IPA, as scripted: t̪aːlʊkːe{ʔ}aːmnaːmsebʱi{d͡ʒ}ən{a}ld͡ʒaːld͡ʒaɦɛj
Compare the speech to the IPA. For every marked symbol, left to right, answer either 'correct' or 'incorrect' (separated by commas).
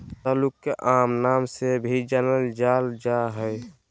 correct, correct, incorrect